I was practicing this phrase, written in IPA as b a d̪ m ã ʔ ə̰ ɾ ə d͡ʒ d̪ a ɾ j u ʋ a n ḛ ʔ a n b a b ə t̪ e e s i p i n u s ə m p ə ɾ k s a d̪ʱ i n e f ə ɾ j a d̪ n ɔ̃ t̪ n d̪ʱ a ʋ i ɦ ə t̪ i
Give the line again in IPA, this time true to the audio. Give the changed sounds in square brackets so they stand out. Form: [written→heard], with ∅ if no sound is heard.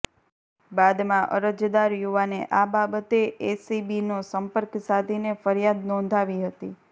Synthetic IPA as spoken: b a d̪ m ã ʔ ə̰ ɾ ə d͡ʒ d̪ a ɾ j u ʋ a n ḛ ʔ a [n→∅] b a b ə t̪ e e s i [p→b] i n [u→o] s ə m p ə ɾ k s a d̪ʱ i n e f ə ɾ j a d̪ n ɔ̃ [t̪→∅] n d̪ʱ a ʋ i ɦ ə t̪ i